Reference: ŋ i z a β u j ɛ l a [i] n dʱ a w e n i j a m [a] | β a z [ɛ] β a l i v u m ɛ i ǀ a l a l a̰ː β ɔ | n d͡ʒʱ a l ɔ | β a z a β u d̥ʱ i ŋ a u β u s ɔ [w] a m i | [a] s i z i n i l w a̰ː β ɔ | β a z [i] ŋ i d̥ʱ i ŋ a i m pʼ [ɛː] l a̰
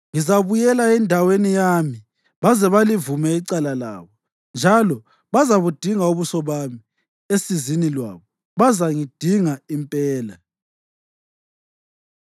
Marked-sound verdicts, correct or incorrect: incorrect, incorrect, correct, incorrect, incorrect, incorrect, correct

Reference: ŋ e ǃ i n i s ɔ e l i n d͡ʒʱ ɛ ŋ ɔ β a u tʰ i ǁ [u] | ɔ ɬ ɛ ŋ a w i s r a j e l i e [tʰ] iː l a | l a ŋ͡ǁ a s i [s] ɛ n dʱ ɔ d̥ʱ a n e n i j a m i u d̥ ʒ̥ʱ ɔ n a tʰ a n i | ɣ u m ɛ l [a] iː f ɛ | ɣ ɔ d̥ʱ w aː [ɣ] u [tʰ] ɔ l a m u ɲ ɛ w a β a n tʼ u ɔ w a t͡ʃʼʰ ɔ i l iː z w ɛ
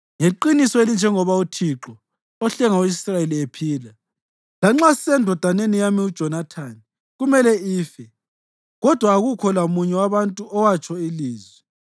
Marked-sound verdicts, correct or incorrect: incorrect, incorrect, correct, incorrect, correct, incorrect

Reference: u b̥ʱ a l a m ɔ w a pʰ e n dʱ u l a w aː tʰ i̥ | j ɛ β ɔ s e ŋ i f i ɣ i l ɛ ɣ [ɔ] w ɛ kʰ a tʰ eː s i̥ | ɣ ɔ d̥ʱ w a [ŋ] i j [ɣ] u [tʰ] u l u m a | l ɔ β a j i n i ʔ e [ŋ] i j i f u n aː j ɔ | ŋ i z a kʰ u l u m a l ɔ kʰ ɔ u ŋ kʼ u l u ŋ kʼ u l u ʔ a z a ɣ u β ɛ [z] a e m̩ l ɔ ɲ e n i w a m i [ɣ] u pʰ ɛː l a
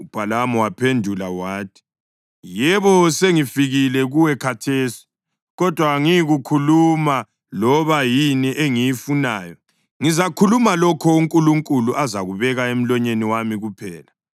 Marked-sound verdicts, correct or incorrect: incorrect, correct, correct, incorrect, correct, incorrect, correct

